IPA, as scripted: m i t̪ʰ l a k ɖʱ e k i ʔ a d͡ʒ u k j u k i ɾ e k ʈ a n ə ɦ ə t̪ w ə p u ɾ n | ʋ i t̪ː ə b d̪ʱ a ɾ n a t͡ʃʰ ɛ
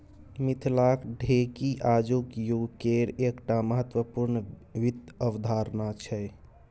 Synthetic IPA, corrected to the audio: m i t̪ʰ l a k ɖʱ e k i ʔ a d͡ʒ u k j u k e ɾ e k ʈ a m ə ɦ ə t̪ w ə p u ɾ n | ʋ i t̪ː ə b d̪ʱ a ɾ n a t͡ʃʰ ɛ